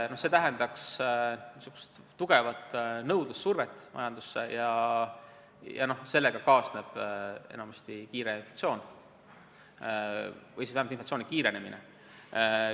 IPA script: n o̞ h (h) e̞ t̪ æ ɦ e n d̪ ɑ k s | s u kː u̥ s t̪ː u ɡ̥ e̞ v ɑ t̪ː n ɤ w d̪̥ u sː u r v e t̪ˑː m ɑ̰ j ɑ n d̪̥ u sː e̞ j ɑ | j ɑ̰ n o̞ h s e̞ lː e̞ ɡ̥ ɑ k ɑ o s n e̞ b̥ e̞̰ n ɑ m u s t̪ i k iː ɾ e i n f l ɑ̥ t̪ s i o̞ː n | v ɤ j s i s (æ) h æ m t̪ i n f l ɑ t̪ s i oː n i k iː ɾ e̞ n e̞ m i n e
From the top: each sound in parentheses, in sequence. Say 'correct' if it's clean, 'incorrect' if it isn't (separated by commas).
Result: incorrect, correct